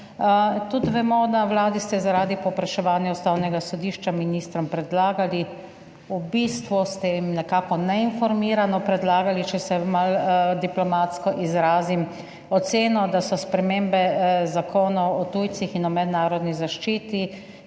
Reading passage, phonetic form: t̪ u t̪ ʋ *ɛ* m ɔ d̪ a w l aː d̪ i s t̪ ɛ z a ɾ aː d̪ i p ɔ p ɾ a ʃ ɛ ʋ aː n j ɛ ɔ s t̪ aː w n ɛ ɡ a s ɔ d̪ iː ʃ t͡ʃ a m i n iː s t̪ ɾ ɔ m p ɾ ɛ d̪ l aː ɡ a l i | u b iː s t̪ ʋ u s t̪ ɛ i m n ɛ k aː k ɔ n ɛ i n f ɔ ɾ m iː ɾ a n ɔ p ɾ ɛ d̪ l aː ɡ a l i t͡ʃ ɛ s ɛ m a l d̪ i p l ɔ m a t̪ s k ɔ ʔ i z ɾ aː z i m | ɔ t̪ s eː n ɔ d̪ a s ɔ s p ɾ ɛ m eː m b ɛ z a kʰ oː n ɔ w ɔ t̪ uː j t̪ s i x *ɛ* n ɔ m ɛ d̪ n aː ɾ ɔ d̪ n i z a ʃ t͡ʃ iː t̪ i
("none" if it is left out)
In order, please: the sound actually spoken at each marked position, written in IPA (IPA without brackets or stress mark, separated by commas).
ɛ, i